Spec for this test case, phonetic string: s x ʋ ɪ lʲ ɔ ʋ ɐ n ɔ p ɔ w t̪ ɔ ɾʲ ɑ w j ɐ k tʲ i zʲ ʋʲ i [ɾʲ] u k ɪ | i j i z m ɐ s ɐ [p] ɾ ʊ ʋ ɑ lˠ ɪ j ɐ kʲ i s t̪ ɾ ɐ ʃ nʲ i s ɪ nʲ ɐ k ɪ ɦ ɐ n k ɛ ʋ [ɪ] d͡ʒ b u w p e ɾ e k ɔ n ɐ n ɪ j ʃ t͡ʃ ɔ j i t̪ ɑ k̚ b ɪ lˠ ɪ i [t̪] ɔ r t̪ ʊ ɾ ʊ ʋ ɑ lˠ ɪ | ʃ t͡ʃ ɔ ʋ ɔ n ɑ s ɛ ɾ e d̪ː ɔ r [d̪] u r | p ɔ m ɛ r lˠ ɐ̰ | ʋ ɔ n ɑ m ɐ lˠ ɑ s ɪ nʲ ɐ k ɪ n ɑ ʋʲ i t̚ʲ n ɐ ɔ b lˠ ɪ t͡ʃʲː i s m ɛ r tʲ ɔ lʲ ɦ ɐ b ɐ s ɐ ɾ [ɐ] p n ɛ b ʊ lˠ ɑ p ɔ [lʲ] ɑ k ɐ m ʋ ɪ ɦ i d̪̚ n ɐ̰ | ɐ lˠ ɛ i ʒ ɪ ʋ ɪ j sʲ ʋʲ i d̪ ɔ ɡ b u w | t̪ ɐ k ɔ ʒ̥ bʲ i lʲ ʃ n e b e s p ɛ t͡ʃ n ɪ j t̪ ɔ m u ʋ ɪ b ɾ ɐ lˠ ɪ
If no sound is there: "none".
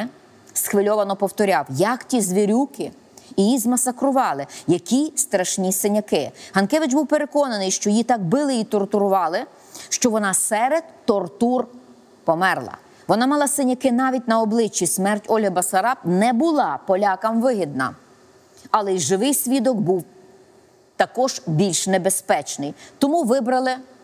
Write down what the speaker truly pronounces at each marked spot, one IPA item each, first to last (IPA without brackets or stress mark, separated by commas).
ɾʲ, k, ɪ, t̪, t̪, ɑ, lʲ